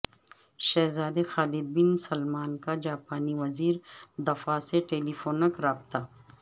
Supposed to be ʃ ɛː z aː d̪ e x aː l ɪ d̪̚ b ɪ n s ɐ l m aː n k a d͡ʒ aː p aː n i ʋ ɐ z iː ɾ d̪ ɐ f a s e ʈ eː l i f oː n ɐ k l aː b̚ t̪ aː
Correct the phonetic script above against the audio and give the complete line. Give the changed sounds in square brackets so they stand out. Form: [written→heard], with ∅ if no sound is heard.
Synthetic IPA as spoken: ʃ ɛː z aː d̪ e x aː l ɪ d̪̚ b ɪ n s ɐ l m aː n k a d͡ʒ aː p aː n i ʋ ɐ z iː ɾ d̪ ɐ f a s e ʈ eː l i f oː n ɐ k [l→ɾ] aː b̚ t̪ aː